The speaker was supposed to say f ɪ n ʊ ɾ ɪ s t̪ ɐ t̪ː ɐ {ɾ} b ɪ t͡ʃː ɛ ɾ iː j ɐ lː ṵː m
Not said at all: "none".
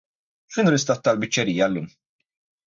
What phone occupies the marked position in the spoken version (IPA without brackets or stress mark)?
l